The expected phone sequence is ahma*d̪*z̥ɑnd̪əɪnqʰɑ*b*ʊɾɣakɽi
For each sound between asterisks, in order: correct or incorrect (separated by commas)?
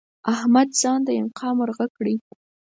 correct, incorrect